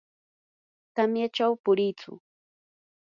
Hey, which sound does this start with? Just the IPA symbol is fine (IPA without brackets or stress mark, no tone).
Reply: t̪